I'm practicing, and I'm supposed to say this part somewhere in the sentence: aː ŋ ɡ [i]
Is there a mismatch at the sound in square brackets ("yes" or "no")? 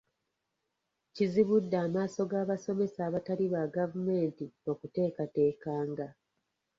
yes